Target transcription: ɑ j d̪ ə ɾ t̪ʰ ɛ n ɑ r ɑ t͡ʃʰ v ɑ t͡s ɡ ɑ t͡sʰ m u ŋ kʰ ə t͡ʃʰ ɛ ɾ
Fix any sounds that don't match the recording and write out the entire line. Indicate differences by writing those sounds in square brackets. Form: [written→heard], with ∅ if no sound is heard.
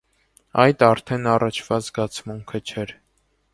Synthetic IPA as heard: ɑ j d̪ [ə→ɑ] ɾ t̪ʰ ɛ n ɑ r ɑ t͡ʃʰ v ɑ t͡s ɡ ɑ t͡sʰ m u ŋ kʰ ə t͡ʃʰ ɛ ɾ